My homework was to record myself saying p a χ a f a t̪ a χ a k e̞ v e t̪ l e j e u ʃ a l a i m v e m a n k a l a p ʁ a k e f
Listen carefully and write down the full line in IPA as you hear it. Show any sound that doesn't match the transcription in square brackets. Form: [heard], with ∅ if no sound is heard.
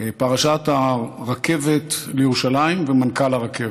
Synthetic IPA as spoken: p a [ʁ] a [ʃ] a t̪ a [ʁ] a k e̞ v e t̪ l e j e u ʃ a l a i m v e m a n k a l a [∅] ʁ a k e [v]